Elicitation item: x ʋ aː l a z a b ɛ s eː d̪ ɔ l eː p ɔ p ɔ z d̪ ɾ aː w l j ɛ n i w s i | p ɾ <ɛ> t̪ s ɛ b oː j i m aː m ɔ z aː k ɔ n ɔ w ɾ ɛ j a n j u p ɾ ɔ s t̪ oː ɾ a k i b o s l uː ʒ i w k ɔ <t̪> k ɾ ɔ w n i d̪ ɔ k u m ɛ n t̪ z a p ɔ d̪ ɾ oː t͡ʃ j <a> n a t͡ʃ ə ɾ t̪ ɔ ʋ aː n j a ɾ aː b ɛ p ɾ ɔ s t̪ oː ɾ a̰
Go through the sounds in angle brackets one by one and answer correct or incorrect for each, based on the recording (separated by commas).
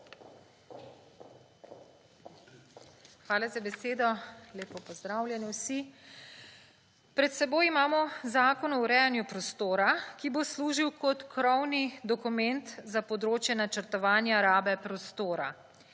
correct, correct, incorrect